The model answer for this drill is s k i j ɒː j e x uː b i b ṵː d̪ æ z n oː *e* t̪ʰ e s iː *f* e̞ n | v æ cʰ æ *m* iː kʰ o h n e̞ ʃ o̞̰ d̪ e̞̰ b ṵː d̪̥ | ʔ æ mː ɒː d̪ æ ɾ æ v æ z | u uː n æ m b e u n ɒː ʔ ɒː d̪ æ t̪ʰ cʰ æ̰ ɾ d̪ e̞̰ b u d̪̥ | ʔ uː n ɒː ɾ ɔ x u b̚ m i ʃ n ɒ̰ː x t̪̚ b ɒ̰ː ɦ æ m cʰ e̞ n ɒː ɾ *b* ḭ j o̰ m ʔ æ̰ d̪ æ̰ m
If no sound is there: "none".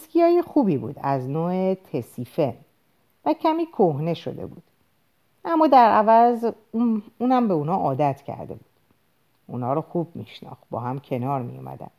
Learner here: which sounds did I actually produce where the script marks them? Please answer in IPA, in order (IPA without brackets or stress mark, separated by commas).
e, f, m, m